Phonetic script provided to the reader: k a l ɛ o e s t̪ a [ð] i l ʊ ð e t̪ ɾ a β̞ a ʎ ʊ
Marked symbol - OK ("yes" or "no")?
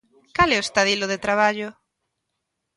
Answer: yes